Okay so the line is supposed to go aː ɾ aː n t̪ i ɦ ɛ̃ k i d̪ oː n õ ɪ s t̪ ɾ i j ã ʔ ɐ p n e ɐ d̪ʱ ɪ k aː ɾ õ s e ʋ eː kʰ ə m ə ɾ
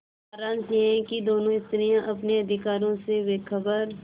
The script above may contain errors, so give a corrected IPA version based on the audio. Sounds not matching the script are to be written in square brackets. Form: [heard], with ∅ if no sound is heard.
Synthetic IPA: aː ɾ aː n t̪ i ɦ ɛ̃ k i d̪ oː n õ ɪ s t̪ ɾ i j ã ʔ ɐ p n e ɐ d̪ʱ ɪ k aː ɾ õ s e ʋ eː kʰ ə [b] ə ɾ